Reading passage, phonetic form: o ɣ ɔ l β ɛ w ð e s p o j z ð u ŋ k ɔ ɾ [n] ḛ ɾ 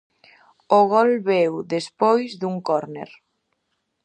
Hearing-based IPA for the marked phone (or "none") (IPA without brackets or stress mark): n